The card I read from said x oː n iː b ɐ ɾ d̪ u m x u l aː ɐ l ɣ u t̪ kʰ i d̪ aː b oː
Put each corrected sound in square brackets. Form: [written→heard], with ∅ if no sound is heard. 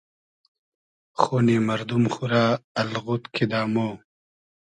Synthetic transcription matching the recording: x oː n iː [b→m] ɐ ɾ d̪ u m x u [l→ɾ] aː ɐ l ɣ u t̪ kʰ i d̪ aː [b→m] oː